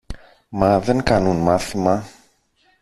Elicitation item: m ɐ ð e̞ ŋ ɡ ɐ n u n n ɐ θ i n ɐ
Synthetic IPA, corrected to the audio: m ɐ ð e̞ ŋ k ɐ n u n m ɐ θ i m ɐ